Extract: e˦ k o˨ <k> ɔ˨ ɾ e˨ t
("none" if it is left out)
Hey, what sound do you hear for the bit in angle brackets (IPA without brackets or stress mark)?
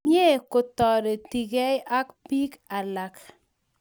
t